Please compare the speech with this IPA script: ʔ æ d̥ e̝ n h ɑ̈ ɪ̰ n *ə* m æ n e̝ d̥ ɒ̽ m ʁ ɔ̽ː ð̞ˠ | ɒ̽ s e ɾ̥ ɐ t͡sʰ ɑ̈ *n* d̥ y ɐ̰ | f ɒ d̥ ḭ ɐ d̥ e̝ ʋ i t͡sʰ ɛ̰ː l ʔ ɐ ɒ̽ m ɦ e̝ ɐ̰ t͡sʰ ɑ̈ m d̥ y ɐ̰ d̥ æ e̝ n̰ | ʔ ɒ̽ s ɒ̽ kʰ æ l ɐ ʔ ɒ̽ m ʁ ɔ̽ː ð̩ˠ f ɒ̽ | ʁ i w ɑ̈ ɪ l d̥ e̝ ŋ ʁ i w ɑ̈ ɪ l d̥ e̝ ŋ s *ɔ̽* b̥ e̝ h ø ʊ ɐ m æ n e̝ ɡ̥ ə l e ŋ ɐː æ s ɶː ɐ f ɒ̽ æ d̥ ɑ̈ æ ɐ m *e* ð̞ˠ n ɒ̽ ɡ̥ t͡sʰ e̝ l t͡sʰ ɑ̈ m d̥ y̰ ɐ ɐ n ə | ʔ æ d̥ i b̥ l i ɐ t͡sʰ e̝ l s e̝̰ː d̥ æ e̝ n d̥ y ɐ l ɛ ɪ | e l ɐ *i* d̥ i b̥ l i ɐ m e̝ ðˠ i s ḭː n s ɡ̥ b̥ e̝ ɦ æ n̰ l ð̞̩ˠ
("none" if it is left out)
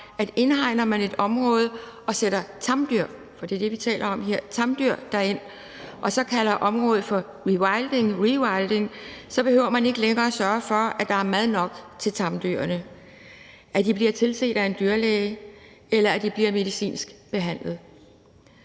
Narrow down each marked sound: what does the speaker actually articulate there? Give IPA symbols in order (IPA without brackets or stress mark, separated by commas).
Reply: ɐ, m, ɒ̽, æ, æ